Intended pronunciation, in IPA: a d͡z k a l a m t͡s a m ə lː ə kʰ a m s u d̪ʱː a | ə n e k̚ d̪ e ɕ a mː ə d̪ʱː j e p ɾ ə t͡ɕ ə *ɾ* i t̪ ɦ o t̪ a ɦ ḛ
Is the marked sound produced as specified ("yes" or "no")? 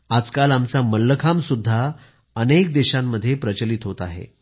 no